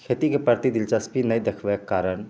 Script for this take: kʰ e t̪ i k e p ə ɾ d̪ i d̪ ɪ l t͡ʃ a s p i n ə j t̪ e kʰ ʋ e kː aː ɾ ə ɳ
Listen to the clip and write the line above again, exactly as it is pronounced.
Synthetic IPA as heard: kʰ e t̪ i k e p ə ɾ t̪ i d̪ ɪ l t͡ʃ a s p i n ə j d̪ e kʰ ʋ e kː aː ɾ ə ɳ